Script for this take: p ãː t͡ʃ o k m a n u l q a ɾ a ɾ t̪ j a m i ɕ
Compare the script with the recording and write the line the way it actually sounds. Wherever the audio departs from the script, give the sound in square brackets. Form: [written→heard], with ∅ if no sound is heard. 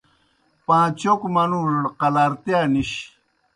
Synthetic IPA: p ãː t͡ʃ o k m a n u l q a [ɾ→l] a ɾ t̪ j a [m→n] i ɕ